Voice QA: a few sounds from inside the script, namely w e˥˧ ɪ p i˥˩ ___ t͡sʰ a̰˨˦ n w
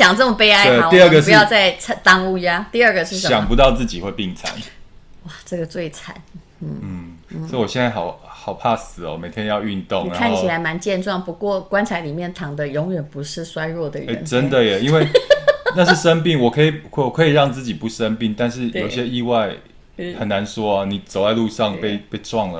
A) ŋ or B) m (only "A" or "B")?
A